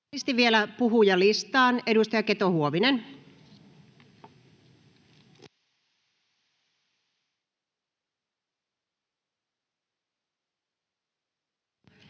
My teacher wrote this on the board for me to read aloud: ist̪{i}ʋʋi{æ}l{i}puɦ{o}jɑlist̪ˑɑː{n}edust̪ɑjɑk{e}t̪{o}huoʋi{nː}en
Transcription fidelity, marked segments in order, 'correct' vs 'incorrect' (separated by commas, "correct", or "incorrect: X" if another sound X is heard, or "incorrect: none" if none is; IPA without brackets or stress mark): correct, incorrect: e, incorrect: æ, incorrect: u, correct, correct, correct, incorrect: n